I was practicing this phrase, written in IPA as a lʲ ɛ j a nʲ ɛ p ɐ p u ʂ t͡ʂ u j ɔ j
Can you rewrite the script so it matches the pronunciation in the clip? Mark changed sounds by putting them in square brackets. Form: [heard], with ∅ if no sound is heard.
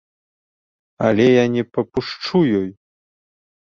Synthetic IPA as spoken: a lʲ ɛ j a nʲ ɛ p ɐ p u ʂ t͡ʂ u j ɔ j

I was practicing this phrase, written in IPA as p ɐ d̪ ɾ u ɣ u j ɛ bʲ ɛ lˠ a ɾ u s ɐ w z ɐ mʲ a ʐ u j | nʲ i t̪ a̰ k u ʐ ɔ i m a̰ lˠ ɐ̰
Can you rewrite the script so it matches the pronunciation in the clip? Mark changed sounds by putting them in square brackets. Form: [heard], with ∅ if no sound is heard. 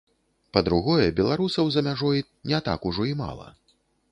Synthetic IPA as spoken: p ɐ d̪ ɾ u ɣ [ɔ] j ɛ bʲ ɛ lˠ a ɾ u s ɐ w z ɐ mʲ a ʐ [ɔ] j | nʲ [ɛ] t̪ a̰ k u ʐ ɔ i m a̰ lˠ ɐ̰

